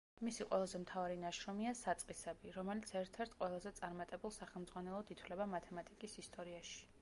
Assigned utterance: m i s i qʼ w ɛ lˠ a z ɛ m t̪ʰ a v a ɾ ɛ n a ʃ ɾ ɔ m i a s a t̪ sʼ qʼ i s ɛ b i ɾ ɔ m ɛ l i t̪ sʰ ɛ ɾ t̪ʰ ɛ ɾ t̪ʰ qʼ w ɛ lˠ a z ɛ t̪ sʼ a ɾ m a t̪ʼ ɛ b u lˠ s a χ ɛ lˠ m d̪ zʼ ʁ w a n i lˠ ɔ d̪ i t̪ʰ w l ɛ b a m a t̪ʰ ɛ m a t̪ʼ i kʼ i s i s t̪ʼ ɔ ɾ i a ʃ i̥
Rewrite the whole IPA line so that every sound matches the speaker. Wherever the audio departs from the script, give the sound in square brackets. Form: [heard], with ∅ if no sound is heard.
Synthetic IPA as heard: m i s i qʼ w ɛ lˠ a z ɛ m t̪ʰ a v a ɾ [i] n a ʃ ɾ ɔ m i a s a t̪ sʼ qʼ i s ɛ b i ɾ ɔ m ɛ l i t̪ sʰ ɛ ɾ t̪ʰ ɛ ɾ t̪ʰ qʼ w ɛ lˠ a z ɛ t̪ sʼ a ɾ m a t̪ʼ ɛ b u lˠ s a χ ɛ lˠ m d̪ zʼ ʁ w a n [ɛ] lˠ ɔ d̪ i t̪ʰ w l ɛ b a m a t̪ʰ ɛ m a t̪ʼ i kʼ i s i s t̪ʼ ɔ ɾ i a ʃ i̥

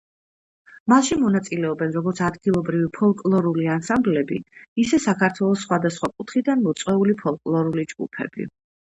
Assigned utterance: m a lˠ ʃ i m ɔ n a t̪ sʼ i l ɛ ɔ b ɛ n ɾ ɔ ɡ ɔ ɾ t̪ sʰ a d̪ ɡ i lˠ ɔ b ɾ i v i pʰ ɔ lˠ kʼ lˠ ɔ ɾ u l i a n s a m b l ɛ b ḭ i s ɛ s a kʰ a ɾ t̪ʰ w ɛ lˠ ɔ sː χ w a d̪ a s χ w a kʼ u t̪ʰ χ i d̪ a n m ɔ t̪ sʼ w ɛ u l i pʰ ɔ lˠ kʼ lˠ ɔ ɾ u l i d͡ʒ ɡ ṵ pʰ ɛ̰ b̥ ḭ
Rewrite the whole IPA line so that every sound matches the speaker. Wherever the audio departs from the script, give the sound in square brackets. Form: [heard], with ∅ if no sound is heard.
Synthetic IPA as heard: m a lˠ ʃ i m ɔ n a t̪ sʼ i l ɛ ɔ b ɛ n ɾ ɔ ɡ ɔ ɾ t̪ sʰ a d̪ ɡ i lˠ ɔ b ɾ i v i pʰ ɔ lˠ kʼ lˠ ɔ ɾ u l i a n s a m b l ɛ b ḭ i s ɛ s a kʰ a ɾ t̪ʰ w ɛ lˠ ɔ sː χ w a d̪ a s χ w a kʼ u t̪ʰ χ i d̪ a n m ɔ t̪ sʼ w ɛ u l i pʰ ɔ lˠ kʼ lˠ ɔ ɾ u l i d͡ʒ ɡ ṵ pʰ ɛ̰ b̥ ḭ

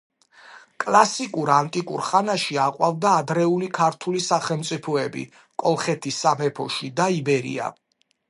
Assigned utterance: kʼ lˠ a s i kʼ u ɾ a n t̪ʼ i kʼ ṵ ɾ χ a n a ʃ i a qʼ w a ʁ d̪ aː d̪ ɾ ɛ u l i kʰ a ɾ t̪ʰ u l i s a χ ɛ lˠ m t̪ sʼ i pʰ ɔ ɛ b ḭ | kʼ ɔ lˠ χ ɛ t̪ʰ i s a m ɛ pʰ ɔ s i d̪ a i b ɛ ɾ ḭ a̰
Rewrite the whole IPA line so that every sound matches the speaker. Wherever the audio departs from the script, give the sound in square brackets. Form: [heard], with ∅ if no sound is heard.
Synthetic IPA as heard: kʼ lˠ a s i kʼ u ɾ a n t̪ʼ i kʼ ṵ ɾ χ a n a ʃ i a qʼ w a [v] d̪ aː d̪ ɾ ɛ u l i kʰ a ɾ t̪ʰ u l i s a χ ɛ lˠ m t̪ sʼ i pʰ ɔ ɛ b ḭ | kʼ ɔ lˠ χ ɛ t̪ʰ i s a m ɛ pʰ ɔ [ʃ] i d̪ a i b ɛ ɾ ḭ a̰

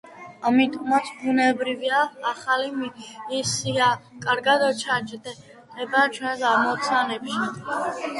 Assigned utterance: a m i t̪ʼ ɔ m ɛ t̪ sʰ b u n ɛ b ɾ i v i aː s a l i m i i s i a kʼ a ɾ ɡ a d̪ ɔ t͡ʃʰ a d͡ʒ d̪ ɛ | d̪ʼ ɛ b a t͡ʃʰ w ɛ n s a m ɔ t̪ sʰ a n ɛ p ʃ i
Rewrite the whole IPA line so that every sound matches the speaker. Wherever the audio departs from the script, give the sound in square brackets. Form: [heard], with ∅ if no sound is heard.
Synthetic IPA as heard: a m i t̪ʼ ɔ m [a] t̪ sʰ b u n ɛ b ɾ i v i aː [χ] a l i m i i s i a kʼ a ɾ ɡ a d̪ ɔ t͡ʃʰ a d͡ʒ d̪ ɛ | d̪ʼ ɛ b a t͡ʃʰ w ɛ n s a m ɔ t̪ sʰ a n ɛ p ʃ i

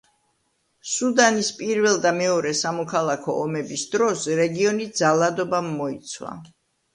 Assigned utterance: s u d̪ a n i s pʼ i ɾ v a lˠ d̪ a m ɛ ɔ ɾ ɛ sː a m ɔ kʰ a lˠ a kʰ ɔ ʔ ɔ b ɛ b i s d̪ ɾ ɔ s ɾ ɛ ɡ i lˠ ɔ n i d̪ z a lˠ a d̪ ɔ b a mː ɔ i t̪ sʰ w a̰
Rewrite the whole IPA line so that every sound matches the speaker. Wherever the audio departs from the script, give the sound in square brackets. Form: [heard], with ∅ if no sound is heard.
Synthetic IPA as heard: s u d̪ a n i s pʼ i ɾ v [ɛ] lˠ d̪ a m ɛ ɔ ɾ ɛ [s] a m ɔ kʰ a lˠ a kʰ ɔ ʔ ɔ [m] ɛ b i s d̪ ɾ ɔ s ɾ ɛ ɡ i [∅] ɔ n i d̪ z a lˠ a d̪ ɔ b a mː ɔ i t̪ sʰ w a̰

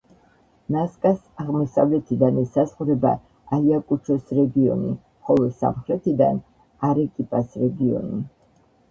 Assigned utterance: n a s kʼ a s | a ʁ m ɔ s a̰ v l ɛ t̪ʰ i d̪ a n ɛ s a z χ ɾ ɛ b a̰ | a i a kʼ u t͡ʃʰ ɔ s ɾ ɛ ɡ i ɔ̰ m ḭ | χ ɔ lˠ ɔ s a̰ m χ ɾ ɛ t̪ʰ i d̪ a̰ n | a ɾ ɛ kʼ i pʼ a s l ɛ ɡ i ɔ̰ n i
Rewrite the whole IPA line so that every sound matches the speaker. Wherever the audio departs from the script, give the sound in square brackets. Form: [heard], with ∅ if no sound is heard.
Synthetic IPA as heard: n a s kʼ a s | a ʁ m ɔ s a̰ v l ɛ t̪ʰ i d̪ a n ɛ s a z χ ɾ ɛ b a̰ | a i a kʼ u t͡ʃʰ ɔ s ɾ ɛ ɡ i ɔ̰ [n] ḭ | χ ɔ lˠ ɔ s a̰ m χ ɾ ɛ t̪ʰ i d̪ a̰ n | a ɾ ɛ kʼ i pʼ a s [ɾ] ɛ ɡ i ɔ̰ n i

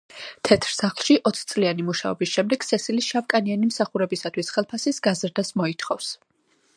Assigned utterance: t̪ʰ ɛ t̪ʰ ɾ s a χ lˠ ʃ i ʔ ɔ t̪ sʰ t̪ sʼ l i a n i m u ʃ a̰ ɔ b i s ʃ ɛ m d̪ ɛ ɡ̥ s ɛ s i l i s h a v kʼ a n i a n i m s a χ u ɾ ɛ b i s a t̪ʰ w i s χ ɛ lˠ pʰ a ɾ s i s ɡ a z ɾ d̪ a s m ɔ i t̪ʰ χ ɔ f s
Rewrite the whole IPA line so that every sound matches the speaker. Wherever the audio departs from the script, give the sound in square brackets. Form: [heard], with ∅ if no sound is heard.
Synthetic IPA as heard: t̪ʰ ɛ t̪ʰ ɾ s a χ lˠ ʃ i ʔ ɔ t̪ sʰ t̪ sʼ l i a n i m u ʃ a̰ ɔ b i s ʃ ɛ m d̪ ɛ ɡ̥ s ɛ s i l i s [ʃ] a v kʼ a n i a n i m s a χ u ɾ ɛ b i s a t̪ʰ w i s χ ɛ lˠ pʰ a [∅] s i s ɡ a z ɾ d̪ a s m ɔ i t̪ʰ χ ɔ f s

